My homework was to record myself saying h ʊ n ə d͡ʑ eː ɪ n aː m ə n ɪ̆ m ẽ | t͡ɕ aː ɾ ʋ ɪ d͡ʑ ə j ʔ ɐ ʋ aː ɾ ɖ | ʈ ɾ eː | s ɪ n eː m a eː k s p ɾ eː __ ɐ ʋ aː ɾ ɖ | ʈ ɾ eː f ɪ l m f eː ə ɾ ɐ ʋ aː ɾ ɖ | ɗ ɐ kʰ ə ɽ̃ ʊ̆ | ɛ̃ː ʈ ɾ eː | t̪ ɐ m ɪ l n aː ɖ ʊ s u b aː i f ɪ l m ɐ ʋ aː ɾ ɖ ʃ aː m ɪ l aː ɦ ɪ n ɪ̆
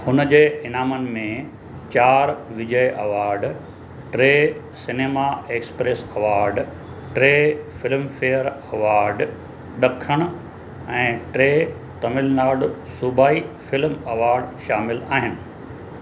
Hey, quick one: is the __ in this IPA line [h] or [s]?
s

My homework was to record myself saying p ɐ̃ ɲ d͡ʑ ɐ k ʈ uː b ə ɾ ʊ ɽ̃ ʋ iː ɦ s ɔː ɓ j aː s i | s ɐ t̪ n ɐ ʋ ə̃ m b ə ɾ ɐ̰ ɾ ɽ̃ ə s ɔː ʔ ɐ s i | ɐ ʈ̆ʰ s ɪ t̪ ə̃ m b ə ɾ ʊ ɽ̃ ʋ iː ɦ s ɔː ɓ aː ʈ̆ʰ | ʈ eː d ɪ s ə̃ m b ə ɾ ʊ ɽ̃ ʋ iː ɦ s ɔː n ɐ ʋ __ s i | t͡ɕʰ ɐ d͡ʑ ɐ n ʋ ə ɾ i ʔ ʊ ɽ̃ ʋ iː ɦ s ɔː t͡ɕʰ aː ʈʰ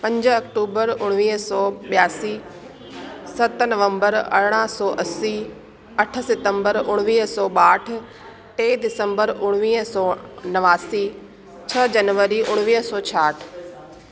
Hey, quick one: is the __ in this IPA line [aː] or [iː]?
aː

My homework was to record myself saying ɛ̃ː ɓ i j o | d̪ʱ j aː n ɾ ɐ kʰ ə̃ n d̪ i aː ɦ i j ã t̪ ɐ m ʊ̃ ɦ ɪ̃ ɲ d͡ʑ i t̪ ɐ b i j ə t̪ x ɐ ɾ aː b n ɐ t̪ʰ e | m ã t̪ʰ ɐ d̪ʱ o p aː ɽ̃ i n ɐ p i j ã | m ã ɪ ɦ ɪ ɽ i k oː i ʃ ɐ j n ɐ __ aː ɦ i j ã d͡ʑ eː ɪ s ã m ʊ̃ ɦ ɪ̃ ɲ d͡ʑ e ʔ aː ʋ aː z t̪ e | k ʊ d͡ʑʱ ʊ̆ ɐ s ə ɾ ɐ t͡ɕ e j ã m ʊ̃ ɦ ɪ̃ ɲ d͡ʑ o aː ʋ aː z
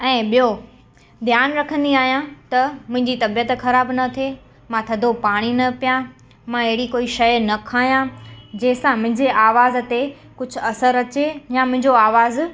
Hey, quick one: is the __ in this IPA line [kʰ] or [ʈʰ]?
kʰ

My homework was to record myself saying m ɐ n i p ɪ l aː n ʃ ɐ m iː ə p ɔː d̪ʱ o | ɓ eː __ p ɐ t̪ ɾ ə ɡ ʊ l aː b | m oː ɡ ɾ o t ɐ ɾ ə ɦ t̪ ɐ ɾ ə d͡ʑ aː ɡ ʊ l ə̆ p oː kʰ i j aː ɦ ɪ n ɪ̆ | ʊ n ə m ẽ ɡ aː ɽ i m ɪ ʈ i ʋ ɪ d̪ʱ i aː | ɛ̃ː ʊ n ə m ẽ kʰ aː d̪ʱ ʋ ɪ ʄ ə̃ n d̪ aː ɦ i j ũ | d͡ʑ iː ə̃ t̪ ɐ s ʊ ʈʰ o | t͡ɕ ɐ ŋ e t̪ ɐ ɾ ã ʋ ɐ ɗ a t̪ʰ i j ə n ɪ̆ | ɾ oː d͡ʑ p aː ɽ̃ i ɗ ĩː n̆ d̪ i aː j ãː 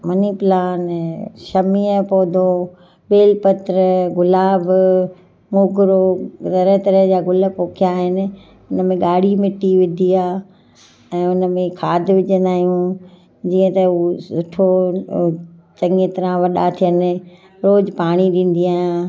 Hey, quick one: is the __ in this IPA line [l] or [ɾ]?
l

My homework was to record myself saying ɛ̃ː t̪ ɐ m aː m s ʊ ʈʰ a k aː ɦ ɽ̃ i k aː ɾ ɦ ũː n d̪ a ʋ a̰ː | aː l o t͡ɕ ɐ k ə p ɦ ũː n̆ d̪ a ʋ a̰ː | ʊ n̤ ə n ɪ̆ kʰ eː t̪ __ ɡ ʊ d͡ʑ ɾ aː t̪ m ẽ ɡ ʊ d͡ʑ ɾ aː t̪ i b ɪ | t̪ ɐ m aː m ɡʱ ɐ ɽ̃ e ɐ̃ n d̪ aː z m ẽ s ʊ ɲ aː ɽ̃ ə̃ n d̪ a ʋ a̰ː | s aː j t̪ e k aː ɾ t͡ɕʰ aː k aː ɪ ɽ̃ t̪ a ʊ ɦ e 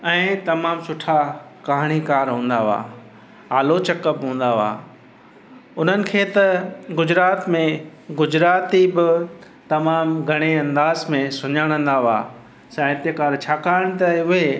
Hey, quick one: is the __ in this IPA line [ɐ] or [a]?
ɐ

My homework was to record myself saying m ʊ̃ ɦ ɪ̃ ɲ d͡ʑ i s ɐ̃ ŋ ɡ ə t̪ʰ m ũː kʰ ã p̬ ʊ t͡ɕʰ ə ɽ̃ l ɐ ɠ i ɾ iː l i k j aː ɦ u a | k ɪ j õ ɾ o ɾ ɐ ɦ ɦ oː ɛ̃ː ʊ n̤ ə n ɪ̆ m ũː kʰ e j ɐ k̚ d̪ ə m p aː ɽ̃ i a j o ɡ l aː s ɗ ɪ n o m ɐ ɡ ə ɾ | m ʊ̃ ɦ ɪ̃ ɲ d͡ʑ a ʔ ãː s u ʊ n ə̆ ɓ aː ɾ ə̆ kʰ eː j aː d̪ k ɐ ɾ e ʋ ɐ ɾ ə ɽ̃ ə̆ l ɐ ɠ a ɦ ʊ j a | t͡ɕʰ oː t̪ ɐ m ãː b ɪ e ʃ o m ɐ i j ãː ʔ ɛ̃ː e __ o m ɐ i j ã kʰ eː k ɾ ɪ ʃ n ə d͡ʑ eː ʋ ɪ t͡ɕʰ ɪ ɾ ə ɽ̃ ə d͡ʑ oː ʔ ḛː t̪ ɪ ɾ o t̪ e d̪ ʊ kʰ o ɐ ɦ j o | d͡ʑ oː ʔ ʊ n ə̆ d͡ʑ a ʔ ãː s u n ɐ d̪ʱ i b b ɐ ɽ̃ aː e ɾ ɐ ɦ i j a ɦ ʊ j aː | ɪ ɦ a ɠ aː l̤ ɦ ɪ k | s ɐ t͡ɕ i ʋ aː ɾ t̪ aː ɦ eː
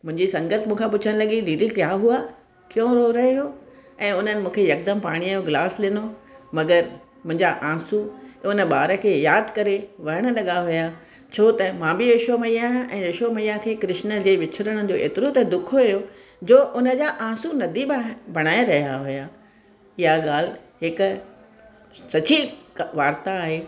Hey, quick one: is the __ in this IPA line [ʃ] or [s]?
ʃ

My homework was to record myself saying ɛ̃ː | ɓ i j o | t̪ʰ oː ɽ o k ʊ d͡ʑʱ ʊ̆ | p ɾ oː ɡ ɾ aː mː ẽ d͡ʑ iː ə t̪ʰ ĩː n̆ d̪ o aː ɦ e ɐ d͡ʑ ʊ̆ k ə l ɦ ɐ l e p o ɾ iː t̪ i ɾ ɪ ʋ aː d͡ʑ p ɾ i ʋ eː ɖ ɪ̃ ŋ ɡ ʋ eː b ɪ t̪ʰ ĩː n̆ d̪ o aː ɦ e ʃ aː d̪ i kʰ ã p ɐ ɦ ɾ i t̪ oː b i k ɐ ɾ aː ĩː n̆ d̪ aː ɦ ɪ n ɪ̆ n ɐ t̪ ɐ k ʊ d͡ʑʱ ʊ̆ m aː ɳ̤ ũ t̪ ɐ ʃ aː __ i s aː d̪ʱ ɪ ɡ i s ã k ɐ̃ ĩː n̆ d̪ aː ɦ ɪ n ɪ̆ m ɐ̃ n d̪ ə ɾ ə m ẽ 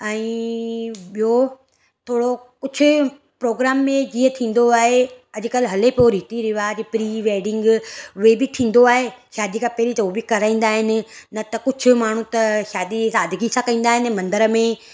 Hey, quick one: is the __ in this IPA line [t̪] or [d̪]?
d̪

